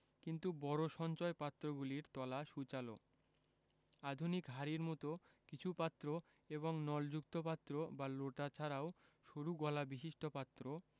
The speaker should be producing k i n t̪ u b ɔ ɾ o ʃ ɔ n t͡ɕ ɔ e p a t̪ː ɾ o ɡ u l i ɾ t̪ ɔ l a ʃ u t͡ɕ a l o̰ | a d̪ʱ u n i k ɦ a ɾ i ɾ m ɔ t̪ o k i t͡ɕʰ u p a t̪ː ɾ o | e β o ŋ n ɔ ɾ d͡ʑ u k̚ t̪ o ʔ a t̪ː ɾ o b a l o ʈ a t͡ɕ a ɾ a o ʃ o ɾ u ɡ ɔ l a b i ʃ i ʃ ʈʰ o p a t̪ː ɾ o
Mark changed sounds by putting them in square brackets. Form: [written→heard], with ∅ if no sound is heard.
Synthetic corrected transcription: k i n t̪ u b ɔ ɾ o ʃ ɔ n t͡ɕ ɔ e p a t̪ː ɾ o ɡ u l i ɾ t̪ ɔ l a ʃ u t͡ɕ a l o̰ | a d̪ʱ u n i k ɦ a ɾ i ɾ m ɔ t̪ o k i t͡ɕʰ u p a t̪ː ɾ o | e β o ŋ n ɔ [ɾ→l] d͡ʑ u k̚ t̪ o [ʔ→p] a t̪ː ɾ o b a l o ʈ a [t͡ɕ→t͡ɕʰ] a ɾ a o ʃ o ɾ u ɡ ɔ l a b i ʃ i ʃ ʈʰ o p a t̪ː ɾ o